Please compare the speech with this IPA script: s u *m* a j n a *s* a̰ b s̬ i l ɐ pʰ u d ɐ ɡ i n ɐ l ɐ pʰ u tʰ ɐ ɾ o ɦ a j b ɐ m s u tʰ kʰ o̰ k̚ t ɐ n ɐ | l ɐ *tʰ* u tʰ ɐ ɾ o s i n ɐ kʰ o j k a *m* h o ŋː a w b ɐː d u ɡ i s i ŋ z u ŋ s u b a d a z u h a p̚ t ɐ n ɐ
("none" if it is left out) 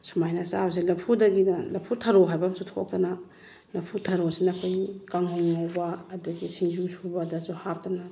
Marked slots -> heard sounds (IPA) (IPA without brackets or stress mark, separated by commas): m, s, pʰ, ŋ